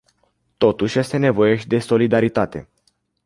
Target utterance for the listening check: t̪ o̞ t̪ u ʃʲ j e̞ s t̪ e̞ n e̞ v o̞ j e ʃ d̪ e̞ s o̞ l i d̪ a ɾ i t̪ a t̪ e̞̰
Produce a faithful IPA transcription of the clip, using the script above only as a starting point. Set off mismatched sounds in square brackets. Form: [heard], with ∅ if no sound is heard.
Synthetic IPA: t̪ o̞ t̪ u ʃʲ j e̞ s t̪ e̞ n e̞ v o̞ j e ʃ d̪ e̞ s o̞ l i d̪ a ɾ i t̪ a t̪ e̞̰